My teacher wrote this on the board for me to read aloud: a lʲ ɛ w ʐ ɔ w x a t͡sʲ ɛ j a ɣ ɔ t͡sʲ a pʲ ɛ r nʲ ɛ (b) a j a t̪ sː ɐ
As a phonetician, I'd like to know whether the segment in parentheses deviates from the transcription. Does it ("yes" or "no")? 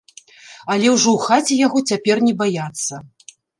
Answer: no